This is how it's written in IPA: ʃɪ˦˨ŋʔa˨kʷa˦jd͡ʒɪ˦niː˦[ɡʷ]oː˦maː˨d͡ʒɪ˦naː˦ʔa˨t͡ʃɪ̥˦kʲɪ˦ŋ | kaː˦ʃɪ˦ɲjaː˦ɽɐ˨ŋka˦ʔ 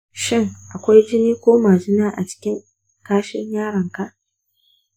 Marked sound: incorrect: kʷ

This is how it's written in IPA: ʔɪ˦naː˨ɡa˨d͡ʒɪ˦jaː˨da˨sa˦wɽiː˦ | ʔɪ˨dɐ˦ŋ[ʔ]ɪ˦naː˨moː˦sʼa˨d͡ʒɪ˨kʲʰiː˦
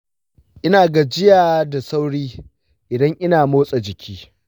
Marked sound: correct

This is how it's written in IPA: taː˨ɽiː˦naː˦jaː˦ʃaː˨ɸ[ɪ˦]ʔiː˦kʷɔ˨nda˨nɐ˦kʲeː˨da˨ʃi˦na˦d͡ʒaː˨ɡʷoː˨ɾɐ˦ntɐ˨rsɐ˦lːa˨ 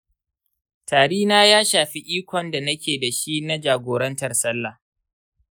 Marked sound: incorrect: i˦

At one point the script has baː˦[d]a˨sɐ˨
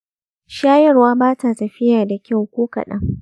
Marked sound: incorrect: t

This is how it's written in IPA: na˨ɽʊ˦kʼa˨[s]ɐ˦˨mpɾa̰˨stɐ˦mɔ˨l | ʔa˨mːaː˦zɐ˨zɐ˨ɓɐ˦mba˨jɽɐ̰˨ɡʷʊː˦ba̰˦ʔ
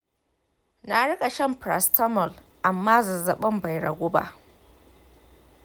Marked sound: incorrect: ʃ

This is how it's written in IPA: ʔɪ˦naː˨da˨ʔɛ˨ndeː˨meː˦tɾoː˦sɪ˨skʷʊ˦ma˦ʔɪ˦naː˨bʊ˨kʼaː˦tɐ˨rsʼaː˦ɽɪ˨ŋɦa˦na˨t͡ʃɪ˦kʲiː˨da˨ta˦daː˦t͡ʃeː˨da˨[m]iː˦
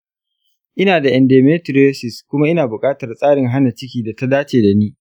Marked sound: incorrect: n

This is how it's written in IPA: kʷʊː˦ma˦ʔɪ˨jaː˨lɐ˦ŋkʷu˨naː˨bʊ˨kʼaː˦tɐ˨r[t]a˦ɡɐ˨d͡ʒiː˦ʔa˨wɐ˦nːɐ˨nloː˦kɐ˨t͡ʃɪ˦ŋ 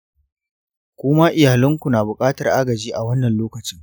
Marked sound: incorrect: ʔ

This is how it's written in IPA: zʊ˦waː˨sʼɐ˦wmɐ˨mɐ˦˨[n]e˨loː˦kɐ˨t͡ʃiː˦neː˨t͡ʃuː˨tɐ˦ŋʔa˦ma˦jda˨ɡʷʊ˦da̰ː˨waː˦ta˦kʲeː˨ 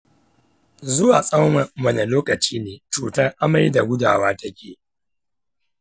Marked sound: correct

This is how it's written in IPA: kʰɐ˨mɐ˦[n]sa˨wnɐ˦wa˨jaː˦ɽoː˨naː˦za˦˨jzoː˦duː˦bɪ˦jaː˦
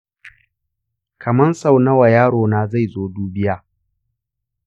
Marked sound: correct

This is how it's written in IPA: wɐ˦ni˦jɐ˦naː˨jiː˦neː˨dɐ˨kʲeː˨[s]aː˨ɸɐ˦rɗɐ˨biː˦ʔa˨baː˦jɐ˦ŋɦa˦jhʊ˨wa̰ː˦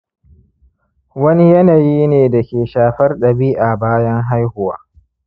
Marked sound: incorrect: ʃ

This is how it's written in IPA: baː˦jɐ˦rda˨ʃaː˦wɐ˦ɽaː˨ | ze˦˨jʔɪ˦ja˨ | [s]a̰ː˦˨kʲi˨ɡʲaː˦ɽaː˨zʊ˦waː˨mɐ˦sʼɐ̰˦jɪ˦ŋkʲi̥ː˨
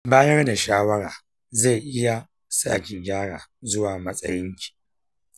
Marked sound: correct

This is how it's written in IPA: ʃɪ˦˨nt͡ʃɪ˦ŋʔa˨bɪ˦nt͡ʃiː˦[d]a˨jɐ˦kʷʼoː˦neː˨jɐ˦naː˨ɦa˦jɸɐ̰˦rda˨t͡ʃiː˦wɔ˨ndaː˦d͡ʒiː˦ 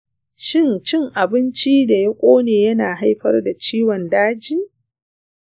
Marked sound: correct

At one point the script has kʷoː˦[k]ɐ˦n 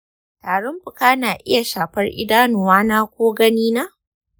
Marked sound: incorrect: ɡ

